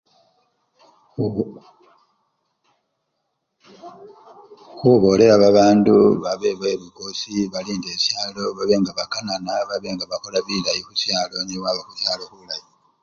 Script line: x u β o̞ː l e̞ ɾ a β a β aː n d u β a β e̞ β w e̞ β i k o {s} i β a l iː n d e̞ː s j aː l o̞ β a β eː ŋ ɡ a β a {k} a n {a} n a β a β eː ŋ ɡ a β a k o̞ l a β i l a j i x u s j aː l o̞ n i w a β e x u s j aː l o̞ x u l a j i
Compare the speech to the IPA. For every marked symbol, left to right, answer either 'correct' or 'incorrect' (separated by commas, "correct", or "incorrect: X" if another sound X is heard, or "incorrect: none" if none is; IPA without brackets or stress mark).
correct, correct, correct